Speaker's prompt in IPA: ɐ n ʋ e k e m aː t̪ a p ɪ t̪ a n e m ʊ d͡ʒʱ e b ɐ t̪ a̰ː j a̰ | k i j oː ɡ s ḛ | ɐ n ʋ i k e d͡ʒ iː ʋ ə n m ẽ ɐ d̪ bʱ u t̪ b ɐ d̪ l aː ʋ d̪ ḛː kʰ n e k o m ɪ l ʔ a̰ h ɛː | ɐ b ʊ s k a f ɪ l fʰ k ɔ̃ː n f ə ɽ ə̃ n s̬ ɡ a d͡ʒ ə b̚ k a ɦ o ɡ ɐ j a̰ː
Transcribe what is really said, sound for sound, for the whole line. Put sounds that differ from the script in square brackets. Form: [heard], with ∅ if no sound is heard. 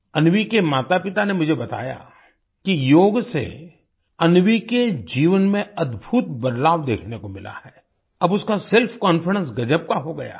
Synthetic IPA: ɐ n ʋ [i] k e m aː t̪ a p ɪ t̪ a n e m ʊ d͡ʒʱ e b ɐ t̪ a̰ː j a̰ | k i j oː ɡ s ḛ | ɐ n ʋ i k e d͡ʒ iː ʋ ə n m ẽ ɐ d̪ bʱ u t̪ b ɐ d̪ l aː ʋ d̪ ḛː kʰ n e k o m ɪ l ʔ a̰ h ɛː | ɐ b ʊ s k a [s] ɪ l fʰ k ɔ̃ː n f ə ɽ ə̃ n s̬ ɡ [ɐ] d͡ʒ ə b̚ k a ɦ o ɡ ɐ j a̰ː